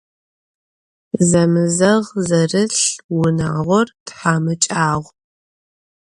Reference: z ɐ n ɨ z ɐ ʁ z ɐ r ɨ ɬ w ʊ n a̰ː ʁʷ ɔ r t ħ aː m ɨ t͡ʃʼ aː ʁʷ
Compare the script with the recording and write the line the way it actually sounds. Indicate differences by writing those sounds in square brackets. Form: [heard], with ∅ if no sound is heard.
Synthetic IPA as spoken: z ɐ [m] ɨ z ɐ ʁ z ɐ r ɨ ɬ w ʊ n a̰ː ʁʷ ɔ r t ħ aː m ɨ t͡ʃʼ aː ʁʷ